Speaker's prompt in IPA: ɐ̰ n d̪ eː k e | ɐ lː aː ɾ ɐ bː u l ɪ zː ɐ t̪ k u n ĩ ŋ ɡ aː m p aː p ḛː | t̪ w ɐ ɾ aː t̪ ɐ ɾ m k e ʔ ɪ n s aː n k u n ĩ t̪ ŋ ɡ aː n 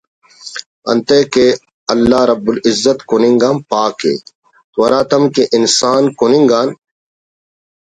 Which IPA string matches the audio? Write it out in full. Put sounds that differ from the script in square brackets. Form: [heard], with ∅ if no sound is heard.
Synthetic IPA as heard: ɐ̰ n [t̪] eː k e | ɐ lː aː ɾ ɐ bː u l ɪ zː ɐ t̪ k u n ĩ ŋ ɡ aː m p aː [k] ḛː | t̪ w ɐ ɾ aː t̪ ɐ [∅] m k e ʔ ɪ n s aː n k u n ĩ [∅] ŋ ɡ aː n